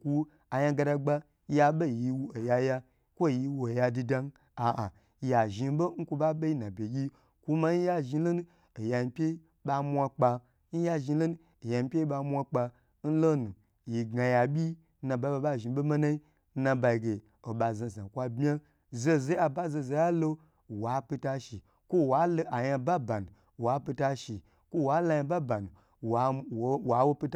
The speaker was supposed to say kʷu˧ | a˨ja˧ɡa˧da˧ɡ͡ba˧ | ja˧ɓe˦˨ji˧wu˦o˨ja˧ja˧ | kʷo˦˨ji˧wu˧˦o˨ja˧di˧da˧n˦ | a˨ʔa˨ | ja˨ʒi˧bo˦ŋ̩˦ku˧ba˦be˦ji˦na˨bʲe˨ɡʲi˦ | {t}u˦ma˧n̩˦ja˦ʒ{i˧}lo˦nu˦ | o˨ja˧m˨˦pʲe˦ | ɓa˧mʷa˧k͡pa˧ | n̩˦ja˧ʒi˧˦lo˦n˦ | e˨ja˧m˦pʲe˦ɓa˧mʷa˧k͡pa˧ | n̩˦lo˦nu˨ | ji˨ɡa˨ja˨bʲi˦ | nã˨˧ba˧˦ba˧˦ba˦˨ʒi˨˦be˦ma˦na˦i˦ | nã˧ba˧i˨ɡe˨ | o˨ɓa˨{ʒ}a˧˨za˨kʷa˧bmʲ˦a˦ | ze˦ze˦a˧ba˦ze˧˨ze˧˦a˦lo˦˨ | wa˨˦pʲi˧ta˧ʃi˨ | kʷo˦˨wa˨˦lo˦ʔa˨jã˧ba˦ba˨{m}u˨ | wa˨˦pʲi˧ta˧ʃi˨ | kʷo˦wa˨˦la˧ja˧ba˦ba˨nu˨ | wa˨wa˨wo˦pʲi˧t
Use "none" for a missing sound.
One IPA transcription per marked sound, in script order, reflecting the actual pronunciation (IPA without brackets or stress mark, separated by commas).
k, i˧, z, n